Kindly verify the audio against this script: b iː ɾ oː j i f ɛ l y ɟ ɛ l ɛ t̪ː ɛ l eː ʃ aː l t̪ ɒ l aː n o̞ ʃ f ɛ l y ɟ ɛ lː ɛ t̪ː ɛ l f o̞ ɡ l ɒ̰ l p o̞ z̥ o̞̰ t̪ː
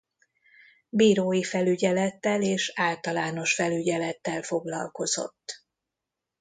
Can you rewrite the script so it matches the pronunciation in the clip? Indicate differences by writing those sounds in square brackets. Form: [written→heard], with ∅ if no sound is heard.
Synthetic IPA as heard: b iː ɾ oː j i f ɛ l y ɟ ɛ l ɛ t̪ː ɛ l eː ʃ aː l t̪ ɒ l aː n o̞ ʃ f ɛ l y ɟ ɛ [lː→l] ɛ t̪ː ɛ l f o̞ ɡ l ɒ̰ l [p→k] o̞ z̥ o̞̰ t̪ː